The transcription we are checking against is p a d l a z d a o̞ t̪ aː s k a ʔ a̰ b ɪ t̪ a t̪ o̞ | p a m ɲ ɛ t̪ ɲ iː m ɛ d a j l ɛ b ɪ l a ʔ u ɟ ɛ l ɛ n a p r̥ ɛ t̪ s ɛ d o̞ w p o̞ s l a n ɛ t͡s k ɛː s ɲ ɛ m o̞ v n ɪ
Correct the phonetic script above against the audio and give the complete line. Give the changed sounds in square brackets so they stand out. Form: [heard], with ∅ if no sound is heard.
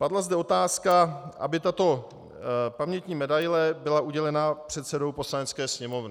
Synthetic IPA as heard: p a d l a z d [ɛ] o̞ t̪ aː s k a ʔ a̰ b ɪ t̪ a t̪ o̞ | p a m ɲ ɛ t̪ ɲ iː m ɛ d a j l ɛ b ɪ l a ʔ u ɟ ɛ l ɛ n a p r̥ ɛ t̪ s ɛ d o̞ w p o̞ s l a n ɛ t͡s k ɛː s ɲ ɛ m o̞ v n ɪ